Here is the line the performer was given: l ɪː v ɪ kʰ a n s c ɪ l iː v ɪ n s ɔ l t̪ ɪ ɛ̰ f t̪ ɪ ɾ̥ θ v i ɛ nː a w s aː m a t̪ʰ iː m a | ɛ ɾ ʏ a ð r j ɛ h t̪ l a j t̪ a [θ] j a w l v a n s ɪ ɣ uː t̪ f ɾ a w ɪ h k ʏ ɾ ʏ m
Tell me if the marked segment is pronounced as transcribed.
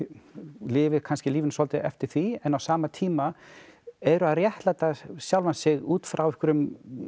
no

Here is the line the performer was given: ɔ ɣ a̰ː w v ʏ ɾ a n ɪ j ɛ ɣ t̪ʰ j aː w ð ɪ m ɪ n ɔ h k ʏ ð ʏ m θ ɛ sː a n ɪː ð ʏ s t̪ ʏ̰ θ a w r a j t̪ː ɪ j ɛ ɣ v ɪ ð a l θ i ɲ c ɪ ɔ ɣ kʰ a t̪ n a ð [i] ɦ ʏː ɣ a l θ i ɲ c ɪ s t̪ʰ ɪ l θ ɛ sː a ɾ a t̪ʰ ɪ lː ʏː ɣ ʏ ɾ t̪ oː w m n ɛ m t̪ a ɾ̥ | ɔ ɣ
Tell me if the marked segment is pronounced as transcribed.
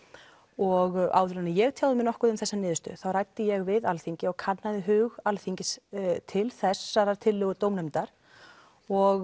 no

